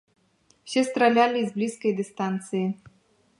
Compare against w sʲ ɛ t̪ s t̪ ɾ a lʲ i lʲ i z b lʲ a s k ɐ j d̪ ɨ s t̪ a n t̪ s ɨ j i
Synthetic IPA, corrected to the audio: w sʲ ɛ s t̪ ɾ a lʲ a lʲ i z b lʲ i s k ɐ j d̪ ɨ s t̪ a n t̪ s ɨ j i